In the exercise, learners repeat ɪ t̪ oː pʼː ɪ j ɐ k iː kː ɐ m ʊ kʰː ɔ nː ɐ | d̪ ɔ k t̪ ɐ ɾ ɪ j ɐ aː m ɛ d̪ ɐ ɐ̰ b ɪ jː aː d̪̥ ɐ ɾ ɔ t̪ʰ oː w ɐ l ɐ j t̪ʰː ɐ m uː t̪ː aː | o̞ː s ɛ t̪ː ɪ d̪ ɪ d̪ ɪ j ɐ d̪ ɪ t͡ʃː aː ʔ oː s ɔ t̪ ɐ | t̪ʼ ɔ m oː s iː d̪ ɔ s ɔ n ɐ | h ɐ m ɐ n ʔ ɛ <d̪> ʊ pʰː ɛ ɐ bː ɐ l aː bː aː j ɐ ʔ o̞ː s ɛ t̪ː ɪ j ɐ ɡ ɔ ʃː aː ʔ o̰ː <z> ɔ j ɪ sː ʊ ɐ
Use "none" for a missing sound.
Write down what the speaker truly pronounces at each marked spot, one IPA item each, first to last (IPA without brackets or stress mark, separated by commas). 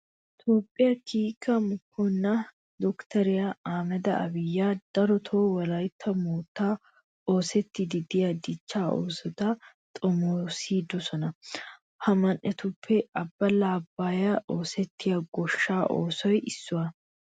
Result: t̪, s